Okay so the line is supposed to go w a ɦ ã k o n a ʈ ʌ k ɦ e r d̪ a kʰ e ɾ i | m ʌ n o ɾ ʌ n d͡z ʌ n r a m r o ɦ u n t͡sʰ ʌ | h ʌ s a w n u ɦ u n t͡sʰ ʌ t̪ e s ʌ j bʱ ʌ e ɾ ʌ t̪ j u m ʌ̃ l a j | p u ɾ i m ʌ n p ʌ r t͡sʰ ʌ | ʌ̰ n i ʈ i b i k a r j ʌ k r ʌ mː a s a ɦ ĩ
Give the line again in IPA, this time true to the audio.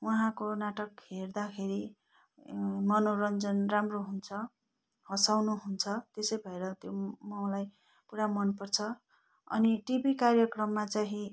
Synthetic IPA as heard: w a ɦ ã k o n a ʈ ʌ k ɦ e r d̪ a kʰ e ɾ i | m ʌ n o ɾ ʌ n d͡z ʌ n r a m r o ɦ u n t͡sʰ ʌ | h ʌ s a w n u ɦ u n t͡sʰ ʌ t̪ e s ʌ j bʱ ʌ e ɾ ʌ t̪ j o m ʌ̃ l a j | p u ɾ a m ʌ n p ʌ r t͡sʰ ʌ | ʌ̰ n i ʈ i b i k a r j ʌ k r ʌ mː a t͡s a ɦ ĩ